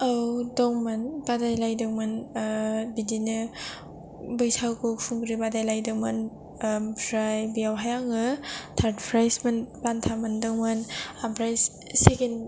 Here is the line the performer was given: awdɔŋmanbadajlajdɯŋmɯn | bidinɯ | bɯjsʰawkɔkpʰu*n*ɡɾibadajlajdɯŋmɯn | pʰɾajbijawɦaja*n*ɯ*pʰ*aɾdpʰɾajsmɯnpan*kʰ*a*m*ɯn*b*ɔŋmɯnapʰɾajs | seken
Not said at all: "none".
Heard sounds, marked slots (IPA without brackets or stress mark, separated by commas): ŋ, ŋ, tʰ, tʰ, m, d